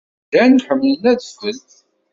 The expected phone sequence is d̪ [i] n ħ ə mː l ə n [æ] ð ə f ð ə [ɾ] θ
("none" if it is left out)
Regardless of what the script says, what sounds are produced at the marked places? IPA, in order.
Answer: æ, æ, l

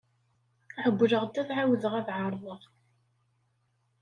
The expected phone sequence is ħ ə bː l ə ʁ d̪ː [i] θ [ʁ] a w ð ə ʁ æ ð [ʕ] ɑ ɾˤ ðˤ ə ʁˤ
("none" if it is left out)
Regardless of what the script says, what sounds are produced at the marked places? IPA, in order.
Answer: æ, ʕ, ʕ

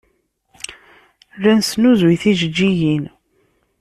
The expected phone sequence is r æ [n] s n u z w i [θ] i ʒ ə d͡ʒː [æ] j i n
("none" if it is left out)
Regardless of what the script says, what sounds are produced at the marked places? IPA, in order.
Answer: n, θ, i

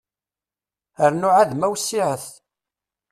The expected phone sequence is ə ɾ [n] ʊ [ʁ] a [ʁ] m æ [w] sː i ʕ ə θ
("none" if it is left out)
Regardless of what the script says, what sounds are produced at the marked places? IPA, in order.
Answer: n, ʕ, ð, w

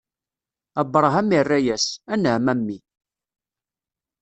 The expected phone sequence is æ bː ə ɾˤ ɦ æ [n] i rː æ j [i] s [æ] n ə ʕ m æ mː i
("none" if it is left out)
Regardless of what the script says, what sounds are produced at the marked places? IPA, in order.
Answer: m, æ, æ

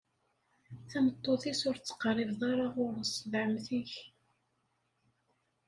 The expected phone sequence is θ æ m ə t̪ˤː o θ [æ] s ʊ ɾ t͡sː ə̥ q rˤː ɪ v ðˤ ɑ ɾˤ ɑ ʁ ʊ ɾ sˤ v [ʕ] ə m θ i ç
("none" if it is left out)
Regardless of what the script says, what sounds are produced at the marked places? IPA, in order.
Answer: i, ʕ

